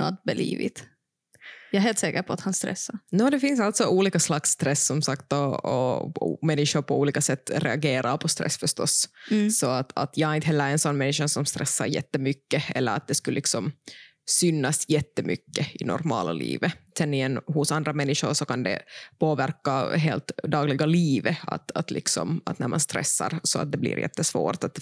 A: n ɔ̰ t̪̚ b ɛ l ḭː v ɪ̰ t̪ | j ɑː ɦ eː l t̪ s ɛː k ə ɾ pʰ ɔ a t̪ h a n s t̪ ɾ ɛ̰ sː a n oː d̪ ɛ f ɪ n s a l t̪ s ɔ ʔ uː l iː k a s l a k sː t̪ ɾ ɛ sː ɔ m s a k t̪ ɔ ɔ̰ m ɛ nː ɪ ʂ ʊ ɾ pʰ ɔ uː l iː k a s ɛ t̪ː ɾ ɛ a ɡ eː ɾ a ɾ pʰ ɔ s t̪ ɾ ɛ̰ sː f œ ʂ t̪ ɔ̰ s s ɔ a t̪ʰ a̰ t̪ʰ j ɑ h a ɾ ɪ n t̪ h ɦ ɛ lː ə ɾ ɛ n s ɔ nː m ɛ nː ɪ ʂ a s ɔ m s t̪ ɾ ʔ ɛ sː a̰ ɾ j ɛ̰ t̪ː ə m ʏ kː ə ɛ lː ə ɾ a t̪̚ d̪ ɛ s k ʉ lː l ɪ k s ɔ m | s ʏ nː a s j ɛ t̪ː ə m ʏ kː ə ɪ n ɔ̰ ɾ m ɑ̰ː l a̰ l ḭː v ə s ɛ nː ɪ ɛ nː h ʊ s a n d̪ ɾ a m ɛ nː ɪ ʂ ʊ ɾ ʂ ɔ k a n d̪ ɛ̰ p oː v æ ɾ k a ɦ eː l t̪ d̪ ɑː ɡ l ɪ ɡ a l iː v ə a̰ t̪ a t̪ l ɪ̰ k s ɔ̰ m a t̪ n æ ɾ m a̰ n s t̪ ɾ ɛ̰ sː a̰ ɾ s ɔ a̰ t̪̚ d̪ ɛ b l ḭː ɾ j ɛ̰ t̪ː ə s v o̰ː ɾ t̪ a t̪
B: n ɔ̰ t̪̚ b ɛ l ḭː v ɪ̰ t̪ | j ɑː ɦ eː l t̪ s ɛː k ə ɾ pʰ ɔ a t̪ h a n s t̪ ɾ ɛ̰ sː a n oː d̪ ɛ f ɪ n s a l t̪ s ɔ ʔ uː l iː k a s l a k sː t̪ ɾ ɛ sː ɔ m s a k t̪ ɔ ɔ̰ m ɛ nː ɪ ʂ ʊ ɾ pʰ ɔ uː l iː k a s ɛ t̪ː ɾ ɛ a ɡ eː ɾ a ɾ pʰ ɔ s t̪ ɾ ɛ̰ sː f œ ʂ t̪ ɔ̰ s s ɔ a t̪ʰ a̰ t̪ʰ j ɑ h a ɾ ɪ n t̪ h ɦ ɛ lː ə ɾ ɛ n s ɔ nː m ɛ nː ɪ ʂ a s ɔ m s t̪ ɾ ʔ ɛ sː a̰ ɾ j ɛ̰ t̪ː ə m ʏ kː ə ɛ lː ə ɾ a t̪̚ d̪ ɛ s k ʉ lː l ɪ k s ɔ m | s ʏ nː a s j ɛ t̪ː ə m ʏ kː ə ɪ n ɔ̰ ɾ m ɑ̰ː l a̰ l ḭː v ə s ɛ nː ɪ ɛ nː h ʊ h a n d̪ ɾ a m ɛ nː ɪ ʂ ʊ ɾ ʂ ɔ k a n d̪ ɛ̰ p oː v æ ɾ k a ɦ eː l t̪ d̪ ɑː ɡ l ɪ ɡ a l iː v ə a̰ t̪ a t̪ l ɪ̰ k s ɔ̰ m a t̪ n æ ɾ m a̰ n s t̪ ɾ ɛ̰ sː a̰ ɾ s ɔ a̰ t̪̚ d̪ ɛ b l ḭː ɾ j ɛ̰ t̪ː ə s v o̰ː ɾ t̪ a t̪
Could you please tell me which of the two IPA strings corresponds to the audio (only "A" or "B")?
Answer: A